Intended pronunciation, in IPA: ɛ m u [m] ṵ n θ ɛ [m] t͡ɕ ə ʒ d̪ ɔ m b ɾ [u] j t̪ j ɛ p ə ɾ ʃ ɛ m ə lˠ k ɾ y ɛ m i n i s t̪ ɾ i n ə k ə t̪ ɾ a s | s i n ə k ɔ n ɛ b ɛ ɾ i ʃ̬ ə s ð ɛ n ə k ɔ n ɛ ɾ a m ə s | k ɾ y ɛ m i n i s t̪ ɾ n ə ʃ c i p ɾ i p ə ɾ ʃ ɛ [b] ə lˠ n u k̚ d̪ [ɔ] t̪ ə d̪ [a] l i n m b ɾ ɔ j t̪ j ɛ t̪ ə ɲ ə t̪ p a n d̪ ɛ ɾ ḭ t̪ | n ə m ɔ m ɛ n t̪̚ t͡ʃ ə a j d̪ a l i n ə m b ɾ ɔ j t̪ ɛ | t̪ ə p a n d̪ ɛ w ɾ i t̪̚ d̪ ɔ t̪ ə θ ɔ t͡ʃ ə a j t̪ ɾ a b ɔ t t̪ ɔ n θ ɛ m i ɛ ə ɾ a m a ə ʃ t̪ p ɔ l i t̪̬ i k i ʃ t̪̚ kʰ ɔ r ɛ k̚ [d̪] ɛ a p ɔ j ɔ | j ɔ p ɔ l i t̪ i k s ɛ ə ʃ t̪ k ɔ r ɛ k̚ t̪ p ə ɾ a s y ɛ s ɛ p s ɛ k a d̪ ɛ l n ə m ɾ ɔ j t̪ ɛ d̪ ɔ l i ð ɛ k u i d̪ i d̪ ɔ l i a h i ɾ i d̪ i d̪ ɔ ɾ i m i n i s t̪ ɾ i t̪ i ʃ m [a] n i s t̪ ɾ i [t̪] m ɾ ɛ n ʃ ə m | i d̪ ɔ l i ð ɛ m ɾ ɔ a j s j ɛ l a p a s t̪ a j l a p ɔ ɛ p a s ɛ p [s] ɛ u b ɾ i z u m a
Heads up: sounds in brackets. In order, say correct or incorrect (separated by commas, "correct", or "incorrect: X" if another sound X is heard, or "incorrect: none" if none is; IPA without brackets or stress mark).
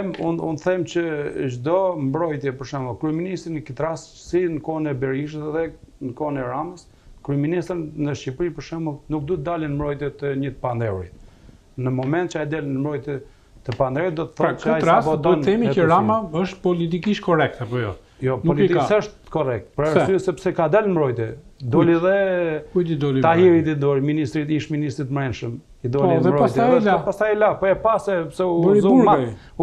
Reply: incorrect: n, correct, incorrect: ɔ, incorrect: m, incorrect: u, correct, incorrect: t̪, incorrect: i, correct, correct